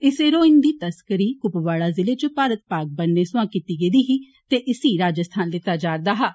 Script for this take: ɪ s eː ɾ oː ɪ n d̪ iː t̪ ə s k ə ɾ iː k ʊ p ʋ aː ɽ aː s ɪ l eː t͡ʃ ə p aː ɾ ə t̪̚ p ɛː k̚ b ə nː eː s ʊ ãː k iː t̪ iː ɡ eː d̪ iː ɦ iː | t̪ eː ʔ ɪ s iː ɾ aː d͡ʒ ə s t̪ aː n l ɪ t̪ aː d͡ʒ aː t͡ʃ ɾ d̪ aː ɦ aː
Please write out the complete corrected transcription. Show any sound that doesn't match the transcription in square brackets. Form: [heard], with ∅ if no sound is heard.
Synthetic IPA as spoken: ɪ s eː ɾ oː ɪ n d̪ iː t̪ ə s k ə ɾ iː k ʊ p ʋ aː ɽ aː [z] ɪ l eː t͡ʃ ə p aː ɾ ə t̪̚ p [aː] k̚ b ə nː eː s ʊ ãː k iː t̪ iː ɡ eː d̪ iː ɦ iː | t̪ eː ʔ ɪ s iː ɾ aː d͡ʒ ə s [t̪ʰ] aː n l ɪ t̪ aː d͡ʒ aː [∅] ɾ d̪ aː ɦ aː